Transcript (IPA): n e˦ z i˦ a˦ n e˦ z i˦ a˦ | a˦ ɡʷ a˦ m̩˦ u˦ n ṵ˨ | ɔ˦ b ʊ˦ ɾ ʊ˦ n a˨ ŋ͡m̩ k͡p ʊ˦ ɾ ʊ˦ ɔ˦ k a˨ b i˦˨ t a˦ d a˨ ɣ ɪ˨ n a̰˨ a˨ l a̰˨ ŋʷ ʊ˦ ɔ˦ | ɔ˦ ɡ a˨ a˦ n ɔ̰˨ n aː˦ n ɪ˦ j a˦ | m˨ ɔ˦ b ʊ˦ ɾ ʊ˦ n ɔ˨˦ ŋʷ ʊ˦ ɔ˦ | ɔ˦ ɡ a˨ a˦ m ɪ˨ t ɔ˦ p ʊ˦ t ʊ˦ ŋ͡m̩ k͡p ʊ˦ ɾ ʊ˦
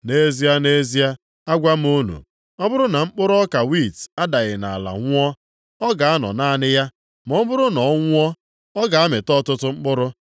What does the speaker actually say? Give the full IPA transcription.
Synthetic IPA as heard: n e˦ z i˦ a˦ n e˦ z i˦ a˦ | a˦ ɡʷ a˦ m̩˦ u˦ n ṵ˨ | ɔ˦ b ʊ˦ ɾ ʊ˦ n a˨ ŋ͡m̩ k͡p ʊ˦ ɾ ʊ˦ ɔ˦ k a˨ w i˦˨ t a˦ d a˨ ɣ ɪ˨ n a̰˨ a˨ l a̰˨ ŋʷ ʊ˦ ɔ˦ | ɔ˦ ɡ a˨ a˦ n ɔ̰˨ n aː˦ n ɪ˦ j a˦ | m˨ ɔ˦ b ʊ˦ ɾ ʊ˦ n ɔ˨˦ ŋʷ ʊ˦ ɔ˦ | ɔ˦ ɡ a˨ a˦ m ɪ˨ t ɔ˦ t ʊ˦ t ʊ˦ ŋ͡m̩ k͡p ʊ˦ ɾ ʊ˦

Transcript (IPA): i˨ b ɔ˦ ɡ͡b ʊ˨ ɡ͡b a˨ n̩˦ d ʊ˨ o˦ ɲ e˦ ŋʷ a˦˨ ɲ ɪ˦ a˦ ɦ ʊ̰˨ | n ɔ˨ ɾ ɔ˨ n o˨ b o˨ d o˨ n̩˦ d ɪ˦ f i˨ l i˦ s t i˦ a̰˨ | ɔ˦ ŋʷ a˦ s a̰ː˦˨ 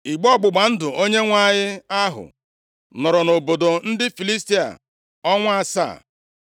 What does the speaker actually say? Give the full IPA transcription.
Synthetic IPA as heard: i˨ ɡ͡b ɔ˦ ɡ͡b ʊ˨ ɡ͡b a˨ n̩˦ d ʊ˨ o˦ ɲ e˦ ŋʷ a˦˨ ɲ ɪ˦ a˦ ɦ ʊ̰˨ | n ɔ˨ ɾ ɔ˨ n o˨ b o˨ d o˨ n̩˦ d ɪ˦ f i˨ l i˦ s t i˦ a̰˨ | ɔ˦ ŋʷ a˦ s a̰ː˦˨

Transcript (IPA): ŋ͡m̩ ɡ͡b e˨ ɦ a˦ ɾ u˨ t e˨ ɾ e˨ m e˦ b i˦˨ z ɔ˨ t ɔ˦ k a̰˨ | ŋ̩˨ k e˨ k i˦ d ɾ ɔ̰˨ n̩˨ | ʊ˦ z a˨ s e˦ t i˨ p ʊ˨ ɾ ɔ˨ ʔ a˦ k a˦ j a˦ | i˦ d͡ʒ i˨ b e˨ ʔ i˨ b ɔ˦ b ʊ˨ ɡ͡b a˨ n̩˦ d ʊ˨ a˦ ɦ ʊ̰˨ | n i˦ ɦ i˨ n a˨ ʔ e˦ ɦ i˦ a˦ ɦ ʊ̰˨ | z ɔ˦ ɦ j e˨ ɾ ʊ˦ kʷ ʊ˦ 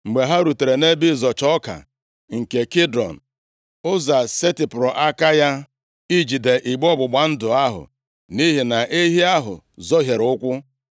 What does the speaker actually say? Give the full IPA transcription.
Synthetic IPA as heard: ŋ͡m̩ ɡ͡b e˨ ɦ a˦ ɾ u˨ t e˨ ɾ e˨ n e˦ b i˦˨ z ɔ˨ t͡ʃ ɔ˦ k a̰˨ | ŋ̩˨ k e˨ k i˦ d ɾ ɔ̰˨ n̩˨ | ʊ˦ z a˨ s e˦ t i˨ p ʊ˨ ɾ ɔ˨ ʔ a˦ k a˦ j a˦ | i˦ d͡ʒ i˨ d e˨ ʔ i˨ ɡ͡b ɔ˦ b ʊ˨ ɡ͡b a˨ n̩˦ d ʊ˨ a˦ ɦ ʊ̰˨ | n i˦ ɦ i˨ n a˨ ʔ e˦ ɦ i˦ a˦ ɦ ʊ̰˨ | z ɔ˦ ɦ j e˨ ɾ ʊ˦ kʷ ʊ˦

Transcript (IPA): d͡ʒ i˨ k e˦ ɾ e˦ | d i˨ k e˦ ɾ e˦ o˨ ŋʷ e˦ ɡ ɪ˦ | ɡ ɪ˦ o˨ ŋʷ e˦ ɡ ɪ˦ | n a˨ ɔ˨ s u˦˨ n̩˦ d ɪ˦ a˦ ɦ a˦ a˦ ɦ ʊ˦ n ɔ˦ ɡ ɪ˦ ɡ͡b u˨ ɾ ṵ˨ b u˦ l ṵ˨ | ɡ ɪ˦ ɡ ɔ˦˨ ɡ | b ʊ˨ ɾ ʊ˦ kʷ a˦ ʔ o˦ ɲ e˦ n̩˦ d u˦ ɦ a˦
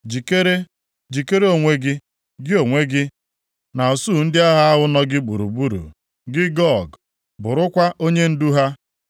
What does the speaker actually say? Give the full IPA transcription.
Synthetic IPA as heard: d͡ʒ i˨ k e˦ ɾ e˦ | d͡ʒ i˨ k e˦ ɾ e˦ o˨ ŋʷ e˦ ɡ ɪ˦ | ɡ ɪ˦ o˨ ŋʷ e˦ ɡ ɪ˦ | n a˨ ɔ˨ s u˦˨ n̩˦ d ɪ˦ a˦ ɦ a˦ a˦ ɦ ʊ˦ n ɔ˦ ɡ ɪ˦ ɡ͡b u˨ ɾ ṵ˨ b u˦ ɾ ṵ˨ | ɡ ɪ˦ ɡ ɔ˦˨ ɡ | b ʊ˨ ɾ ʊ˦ kʷ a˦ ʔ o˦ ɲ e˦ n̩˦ d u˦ ɦ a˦

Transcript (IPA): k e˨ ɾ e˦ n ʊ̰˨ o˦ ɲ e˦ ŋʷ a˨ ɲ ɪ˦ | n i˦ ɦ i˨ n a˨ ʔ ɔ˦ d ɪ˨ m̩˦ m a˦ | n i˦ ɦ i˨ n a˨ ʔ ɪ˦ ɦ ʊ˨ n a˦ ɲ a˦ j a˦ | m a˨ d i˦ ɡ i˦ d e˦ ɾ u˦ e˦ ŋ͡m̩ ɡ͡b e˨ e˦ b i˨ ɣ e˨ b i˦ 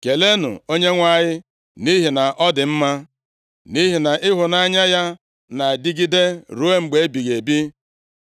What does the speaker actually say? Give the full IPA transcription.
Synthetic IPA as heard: k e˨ l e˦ n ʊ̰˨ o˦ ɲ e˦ ŋʷ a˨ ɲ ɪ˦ | n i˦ ɦ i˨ n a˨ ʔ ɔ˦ d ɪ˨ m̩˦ m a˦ | n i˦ ɦ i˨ n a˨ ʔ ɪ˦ ɦ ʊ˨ n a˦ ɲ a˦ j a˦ | n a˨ d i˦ ɡ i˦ d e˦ ɾ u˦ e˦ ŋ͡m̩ ɡ͡b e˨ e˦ b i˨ ɣ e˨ b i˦

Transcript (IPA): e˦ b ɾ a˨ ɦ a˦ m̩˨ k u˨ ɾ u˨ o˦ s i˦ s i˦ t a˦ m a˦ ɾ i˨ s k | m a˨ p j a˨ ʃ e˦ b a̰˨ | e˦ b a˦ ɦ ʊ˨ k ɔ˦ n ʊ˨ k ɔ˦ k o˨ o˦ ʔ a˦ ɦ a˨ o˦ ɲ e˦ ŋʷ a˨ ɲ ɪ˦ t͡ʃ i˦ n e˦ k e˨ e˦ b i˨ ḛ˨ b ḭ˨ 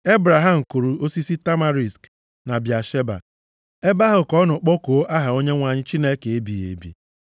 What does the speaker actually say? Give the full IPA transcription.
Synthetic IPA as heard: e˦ b ɾ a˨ ɦ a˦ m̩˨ k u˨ ɾ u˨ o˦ s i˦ s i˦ t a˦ m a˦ ɾ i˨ s k | n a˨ b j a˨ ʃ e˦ b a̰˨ | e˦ b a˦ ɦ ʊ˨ k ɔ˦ n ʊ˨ k͡p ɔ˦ k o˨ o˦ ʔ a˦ ɦ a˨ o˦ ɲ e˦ ŋʷ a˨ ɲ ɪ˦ t͡ʃ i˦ n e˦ k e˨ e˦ b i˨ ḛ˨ b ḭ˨

